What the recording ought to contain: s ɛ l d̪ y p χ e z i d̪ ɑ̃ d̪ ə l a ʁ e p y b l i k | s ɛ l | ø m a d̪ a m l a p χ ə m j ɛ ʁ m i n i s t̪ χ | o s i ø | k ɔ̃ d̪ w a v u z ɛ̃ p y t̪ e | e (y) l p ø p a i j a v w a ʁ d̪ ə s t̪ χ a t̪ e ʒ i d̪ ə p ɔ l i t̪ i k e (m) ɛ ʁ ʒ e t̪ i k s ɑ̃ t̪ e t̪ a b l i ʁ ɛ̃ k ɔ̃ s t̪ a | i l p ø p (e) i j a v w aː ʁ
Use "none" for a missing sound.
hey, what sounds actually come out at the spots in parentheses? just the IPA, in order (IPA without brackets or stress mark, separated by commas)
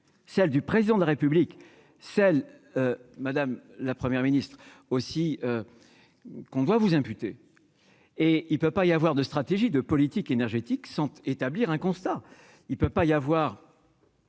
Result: i, n, a